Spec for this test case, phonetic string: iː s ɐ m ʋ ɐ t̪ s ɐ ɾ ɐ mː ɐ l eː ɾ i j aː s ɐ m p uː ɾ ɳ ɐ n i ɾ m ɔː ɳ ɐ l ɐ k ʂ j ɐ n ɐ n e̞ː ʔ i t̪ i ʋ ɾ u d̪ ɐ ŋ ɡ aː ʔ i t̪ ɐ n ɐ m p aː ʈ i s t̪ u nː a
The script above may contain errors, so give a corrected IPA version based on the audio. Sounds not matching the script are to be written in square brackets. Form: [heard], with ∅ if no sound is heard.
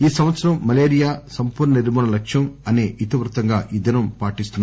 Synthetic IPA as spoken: iː s ɐ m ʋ ɐ t̪ s ɐ ɾ ɐ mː ɐ l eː ɾ i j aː s ɐ m p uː ɾ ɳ ɐ n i ɾ m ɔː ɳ ɐ l ɐ k ʂ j ɐ [m] ɐ n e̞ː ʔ i t̪ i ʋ ɾ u [t̪] ɐ ŋ ɡ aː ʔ i [d̪] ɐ n ɐ m p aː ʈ i s t̪ u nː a